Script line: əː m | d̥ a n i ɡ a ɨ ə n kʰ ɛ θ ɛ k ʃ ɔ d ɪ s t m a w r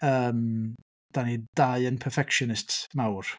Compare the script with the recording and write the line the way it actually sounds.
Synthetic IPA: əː m | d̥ a n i d a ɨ ə n pʰ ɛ f ɛ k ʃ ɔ n ɪ s t m a w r